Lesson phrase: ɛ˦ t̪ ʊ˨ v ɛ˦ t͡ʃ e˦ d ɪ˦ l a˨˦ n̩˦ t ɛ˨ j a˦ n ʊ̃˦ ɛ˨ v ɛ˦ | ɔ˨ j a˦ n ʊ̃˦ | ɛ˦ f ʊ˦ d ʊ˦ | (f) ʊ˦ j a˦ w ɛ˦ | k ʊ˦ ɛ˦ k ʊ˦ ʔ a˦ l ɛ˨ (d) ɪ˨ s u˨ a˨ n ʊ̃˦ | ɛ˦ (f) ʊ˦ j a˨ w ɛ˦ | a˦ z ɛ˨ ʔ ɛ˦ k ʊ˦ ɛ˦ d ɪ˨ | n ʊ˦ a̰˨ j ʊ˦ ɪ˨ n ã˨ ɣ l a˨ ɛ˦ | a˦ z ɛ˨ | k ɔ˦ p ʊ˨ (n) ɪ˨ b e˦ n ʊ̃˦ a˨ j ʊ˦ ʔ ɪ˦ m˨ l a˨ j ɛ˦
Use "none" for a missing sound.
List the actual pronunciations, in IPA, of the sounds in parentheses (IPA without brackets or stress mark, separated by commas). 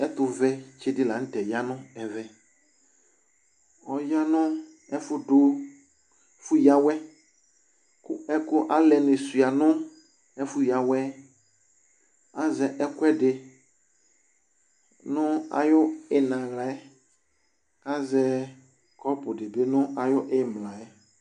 f, n, f, d